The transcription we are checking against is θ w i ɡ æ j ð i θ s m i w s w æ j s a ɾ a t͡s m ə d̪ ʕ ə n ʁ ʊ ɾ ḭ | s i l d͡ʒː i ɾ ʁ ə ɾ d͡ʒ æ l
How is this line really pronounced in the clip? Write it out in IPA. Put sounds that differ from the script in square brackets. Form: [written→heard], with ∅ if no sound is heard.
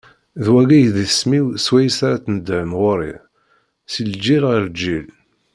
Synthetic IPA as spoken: [θ→ð] w [i→æ] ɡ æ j ð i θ s m i w s w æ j s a ɾ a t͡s [m→n] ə d̪ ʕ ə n ʁ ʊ ɾ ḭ | s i l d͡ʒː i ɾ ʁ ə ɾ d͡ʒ [æ→i] l